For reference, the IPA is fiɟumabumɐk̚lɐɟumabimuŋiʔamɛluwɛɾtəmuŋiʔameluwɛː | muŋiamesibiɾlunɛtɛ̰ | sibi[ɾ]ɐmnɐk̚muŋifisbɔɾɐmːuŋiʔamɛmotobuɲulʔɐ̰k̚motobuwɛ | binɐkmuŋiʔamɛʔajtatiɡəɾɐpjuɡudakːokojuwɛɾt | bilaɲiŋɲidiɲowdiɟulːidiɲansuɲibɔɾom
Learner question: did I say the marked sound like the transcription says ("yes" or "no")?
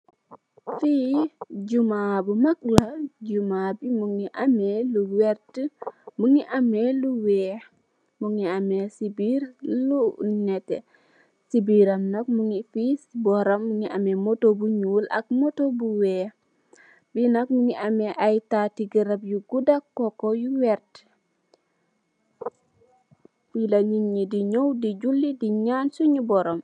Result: yes